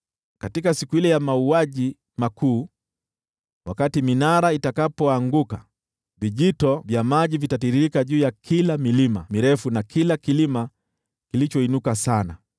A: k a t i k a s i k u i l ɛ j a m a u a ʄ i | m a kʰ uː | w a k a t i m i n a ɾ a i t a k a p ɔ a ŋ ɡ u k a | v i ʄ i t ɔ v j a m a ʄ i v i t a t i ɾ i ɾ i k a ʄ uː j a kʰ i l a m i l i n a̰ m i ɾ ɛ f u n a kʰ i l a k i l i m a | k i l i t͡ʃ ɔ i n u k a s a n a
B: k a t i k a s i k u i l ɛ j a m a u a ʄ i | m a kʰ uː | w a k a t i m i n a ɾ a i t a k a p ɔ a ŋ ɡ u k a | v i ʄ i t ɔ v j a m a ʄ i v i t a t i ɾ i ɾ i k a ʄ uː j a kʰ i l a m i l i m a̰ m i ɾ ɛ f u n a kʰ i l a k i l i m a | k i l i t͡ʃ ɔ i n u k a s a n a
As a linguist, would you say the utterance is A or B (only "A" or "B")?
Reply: B